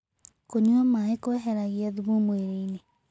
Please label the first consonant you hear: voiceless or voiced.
voiceless